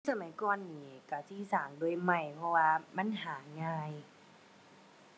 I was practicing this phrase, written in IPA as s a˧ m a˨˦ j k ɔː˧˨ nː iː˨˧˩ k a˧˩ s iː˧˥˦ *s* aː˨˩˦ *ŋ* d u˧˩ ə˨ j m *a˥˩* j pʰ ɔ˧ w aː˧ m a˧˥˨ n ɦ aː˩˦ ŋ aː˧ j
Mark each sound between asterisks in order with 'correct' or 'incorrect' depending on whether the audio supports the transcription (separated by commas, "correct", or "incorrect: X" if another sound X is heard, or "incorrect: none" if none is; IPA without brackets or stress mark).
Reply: correct, correct, incorrect: a˧˩